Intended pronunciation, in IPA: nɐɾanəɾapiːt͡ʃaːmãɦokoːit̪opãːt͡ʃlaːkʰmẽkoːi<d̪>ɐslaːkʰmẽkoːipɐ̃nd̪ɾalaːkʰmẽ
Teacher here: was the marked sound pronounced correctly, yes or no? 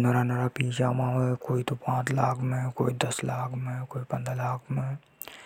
yes